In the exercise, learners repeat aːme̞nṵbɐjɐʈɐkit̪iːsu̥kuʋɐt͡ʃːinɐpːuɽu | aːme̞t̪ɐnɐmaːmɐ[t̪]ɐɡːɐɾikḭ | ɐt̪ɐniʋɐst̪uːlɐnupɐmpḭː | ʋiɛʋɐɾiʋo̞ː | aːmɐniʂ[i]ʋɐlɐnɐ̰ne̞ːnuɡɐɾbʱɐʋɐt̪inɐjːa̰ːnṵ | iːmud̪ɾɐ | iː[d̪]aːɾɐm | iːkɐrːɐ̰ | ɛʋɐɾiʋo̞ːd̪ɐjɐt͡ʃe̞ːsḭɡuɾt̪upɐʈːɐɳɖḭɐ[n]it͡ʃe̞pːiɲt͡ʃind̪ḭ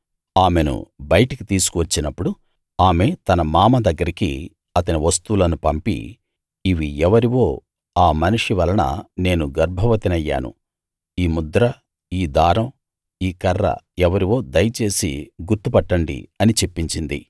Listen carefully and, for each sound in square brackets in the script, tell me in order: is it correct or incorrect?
incorrect, correct, correct, correct

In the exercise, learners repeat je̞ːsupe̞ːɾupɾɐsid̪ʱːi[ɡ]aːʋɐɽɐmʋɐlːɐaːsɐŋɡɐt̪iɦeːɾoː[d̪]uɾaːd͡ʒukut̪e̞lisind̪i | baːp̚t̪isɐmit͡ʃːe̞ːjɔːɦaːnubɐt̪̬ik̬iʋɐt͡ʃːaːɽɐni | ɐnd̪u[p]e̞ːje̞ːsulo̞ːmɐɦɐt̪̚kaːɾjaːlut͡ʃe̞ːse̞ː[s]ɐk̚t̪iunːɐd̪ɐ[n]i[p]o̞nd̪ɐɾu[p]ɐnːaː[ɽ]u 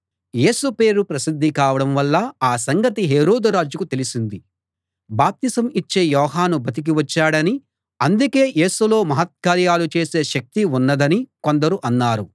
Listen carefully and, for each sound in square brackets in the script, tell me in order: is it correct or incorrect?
incorrect, correct, incorrect, incorrect, correct, incorrect, incorrect, incorrect

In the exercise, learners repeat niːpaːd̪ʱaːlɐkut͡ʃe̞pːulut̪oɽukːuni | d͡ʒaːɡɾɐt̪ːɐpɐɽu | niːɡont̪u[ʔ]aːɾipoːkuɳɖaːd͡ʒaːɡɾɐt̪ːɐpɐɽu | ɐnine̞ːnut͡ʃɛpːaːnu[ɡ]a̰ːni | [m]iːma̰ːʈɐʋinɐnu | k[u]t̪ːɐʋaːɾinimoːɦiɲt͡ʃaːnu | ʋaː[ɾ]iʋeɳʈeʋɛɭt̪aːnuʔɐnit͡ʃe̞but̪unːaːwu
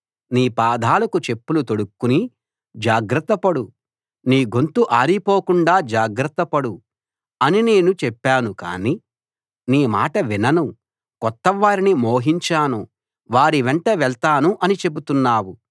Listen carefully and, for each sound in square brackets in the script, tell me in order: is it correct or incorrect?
correct, incorrect, incorrect, incorrect, correct

